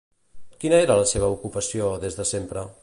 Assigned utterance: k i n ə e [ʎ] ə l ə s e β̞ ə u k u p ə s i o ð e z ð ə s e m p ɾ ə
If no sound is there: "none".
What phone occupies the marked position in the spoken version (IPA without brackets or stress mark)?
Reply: ɾ